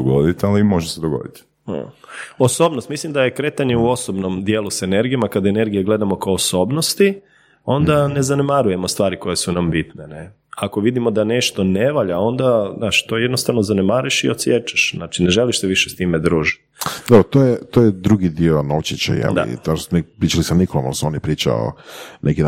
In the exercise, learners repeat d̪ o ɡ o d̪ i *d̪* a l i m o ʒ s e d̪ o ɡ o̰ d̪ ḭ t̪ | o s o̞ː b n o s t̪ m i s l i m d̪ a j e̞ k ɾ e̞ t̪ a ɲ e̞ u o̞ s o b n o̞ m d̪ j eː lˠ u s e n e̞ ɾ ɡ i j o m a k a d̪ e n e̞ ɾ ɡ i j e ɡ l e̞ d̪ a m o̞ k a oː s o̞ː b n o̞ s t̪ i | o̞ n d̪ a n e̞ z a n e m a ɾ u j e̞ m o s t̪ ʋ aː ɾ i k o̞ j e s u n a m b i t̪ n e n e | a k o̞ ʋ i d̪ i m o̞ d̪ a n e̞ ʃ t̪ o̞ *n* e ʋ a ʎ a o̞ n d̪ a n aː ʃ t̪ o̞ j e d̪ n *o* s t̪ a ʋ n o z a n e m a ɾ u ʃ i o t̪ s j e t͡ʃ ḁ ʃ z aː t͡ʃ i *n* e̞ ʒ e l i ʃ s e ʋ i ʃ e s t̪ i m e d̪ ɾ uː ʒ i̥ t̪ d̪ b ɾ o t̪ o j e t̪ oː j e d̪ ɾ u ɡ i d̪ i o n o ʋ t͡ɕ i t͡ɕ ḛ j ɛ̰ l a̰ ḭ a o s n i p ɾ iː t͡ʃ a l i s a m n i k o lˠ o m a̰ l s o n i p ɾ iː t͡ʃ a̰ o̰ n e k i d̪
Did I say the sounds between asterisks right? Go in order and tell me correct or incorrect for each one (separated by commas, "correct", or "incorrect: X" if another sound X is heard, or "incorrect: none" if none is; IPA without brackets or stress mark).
incorrect: t̪, correct, correct, correct